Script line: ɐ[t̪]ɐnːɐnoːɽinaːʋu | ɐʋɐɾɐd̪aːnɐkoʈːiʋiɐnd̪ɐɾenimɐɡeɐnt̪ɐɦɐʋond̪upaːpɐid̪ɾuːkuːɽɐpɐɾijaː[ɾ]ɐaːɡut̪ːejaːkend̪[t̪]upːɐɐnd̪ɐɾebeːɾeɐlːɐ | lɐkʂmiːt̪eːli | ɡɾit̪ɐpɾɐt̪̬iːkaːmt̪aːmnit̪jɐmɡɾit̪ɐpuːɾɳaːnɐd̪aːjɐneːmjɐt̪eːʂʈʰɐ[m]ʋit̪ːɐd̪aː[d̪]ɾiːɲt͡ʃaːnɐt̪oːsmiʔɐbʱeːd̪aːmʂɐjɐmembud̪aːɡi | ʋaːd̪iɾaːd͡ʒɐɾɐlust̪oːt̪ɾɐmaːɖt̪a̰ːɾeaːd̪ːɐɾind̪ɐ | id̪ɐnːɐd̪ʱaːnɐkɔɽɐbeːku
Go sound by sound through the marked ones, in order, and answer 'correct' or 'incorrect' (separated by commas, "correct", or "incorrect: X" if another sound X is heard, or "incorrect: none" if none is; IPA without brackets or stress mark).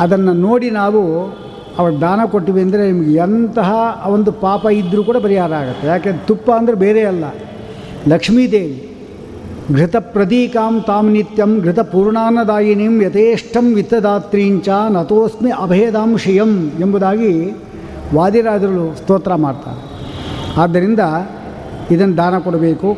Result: incorrect: d̪, correct, correct, correct, incorrect: t̪